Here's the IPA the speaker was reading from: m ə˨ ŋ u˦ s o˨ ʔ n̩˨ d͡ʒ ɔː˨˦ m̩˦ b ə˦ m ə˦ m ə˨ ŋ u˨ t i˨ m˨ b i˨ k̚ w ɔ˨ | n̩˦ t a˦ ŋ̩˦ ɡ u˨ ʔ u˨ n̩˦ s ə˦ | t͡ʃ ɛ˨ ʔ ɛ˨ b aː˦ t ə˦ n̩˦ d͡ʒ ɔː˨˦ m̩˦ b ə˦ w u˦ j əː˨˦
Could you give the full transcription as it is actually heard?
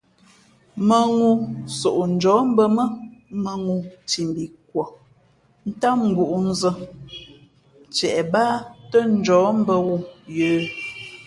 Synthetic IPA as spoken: m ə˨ ŋ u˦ s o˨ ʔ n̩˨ d͡ʒ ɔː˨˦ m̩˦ b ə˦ m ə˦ m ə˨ ŋ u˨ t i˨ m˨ b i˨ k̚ w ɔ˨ | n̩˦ t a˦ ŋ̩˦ ɡ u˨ ʔ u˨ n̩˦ z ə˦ | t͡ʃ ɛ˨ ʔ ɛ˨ b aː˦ t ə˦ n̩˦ d͡ʒ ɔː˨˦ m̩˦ b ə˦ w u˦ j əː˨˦